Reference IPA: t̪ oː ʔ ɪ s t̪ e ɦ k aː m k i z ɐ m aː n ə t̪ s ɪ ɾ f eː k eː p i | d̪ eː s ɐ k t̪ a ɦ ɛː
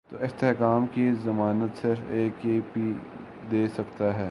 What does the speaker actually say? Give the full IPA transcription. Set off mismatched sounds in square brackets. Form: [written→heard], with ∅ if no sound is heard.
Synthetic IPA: t̪ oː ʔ ɪ s t̪ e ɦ k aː m k i z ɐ m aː n ə t̪ s ɪ ɾ f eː k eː p i | d̪ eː s ɐ k t̪ a ɦ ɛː